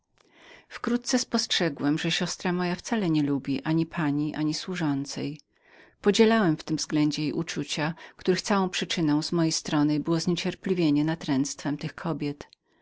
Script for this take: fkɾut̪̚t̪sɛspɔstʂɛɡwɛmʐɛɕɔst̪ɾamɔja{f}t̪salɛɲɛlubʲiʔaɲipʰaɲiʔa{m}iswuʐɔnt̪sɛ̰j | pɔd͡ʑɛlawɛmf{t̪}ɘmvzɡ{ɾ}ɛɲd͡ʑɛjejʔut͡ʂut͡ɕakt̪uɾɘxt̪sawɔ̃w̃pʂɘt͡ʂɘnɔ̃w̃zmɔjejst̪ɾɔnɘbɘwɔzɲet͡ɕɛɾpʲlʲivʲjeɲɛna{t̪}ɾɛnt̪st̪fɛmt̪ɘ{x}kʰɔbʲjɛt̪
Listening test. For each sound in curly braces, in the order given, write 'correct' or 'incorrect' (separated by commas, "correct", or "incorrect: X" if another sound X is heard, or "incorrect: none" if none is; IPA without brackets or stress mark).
correct, incorrect: ɲ, correct, incorrect: l, correct, correct